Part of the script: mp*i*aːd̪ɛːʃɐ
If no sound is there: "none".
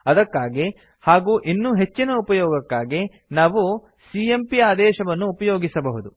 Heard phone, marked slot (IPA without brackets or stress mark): i